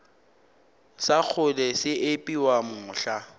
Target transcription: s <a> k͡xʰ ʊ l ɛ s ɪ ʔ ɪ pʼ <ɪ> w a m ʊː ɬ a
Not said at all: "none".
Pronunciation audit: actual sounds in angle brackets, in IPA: a, i

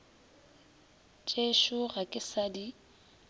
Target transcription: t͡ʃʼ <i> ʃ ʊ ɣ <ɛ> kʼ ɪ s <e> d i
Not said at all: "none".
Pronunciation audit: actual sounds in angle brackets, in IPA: e, a, a

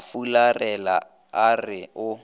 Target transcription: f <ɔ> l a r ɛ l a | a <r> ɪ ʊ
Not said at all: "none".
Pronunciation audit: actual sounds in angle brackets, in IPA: u, r

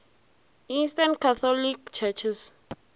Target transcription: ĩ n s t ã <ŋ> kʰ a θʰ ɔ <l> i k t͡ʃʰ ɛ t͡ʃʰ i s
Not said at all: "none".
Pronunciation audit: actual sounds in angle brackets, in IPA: n, l

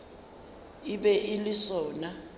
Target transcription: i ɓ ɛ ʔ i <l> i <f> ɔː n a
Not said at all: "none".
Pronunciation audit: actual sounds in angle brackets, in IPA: l, s

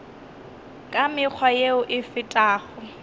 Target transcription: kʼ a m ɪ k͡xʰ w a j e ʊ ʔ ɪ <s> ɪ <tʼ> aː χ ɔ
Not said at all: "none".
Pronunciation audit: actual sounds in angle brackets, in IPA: f, tʼ

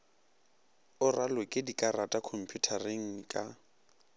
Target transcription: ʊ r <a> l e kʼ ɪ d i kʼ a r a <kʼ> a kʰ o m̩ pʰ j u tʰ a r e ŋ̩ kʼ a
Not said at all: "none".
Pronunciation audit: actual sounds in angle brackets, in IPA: a, tʼ

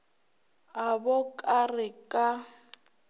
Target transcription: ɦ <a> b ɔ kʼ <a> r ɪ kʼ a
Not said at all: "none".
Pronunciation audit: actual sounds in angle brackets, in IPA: a, a

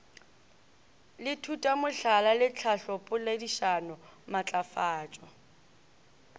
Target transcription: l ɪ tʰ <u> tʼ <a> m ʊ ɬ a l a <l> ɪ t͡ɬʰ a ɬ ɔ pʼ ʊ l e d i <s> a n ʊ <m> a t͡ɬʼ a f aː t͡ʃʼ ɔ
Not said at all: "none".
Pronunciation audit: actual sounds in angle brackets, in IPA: u, a, l, ʃ, m

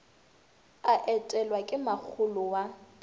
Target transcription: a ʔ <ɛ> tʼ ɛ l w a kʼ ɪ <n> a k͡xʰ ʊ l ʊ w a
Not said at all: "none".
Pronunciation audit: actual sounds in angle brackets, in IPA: ɛ, m

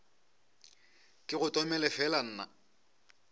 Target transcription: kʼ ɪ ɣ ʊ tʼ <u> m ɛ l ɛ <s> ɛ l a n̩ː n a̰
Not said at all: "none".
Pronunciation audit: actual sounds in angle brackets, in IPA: ɔ, f

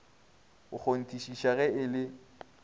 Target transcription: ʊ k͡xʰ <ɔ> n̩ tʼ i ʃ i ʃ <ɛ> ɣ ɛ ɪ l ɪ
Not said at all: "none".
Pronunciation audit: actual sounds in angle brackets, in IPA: o, a

